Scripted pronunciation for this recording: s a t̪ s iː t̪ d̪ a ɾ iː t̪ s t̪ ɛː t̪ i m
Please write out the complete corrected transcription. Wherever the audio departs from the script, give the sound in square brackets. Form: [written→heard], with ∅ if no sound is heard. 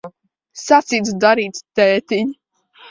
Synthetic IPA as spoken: s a t̪ s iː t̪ d̪ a ɾ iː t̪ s t̪ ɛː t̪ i [m→ɲ]